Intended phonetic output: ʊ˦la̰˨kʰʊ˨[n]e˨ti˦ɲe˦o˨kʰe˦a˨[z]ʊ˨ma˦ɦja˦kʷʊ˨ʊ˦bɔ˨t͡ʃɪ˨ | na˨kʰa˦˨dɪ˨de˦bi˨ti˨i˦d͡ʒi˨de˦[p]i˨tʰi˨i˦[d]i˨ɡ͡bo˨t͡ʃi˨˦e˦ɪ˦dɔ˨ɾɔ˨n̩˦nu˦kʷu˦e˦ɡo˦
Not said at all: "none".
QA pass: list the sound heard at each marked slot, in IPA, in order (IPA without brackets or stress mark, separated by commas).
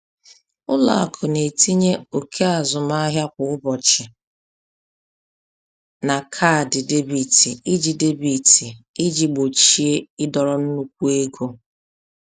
n, z, b, d͡ʒ